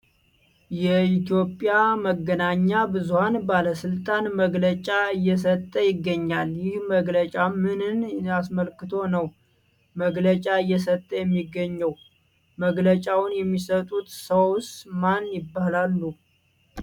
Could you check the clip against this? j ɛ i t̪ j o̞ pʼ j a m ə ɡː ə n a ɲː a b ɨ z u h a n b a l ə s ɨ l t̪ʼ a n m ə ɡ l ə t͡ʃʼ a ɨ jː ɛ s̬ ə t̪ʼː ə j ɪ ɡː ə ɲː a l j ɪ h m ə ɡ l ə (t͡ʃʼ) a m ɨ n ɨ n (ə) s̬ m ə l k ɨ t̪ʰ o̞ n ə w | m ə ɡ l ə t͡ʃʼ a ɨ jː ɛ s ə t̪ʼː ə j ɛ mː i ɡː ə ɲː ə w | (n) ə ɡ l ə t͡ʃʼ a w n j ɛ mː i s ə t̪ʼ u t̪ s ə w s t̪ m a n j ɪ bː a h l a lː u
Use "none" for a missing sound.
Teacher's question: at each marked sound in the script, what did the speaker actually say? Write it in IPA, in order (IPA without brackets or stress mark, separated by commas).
t͡ʃʼ, a, m